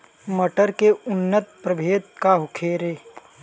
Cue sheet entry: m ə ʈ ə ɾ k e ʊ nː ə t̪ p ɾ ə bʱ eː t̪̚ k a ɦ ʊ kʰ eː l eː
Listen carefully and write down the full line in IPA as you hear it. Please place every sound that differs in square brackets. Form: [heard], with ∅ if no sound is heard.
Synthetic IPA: m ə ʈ ə ɾ k e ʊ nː ə t̪ p ɾ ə bʱ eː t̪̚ k a ɦ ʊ kʰ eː [ɾ] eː